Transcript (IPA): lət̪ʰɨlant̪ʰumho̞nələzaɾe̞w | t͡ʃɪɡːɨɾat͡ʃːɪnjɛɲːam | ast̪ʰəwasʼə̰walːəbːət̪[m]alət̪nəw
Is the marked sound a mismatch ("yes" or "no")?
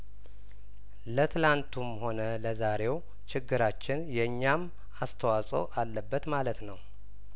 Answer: no